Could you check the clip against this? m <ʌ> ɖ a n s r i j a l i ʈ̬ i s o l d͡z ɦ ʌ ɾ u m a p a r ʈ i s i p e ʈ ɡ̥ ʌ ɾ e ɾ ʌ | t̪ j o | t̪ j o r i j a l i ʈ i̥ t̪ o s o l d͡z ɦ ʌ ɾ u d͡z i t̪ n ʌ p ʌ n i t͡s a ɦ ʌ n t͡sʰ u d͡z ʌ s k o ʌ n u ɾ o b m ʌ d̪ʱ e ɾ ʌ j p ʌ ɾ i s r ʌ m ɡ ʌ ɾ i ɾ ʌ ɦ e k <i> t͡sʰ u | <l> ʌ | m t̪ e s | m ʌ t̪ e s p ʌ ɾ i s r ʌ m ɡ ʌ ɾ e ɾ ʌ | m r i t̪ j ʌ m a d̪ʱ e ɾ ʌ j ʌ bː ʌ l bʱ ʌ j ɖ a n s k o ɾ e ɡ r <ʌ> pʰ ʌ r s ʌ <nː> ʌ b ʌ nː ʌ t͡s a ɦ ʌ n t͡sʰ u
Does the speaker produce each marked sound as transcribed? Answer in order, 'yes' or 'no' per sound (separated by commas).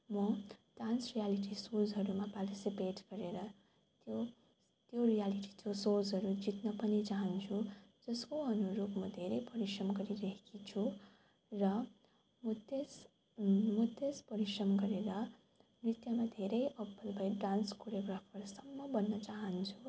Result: yes, yes, no, no, no